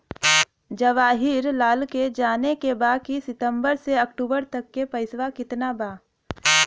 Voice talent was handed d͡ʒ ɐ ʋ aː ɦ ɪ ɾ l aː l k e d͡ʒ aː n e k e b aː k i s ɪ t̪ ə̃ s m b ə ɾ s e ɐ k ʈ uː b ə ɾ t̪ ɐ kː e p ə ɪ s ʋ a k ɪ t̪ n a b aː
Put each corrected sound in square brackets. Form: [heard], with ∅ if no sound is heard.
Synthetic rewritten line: d͡ʒ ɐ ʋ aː ɦ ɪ ɾ l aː l k e d͡ʒ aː n e k e b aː k i s ɪ t̪ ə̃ [∅] m b ə ɾ s e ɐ k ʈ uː b ə ɾ t̪ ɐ kː e p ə ɪ s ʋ a k ɪ t̪ n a b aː